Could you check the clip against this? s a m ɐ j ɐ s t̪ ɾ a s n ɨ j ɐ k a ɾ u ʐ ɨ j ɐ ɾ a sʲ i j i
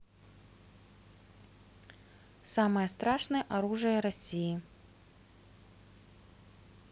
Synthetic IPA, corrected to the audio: s a m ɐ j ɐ s t̪ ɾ a ʂ n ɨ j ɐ ʔ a ɾ u ʐ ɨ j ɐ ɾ a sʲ i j i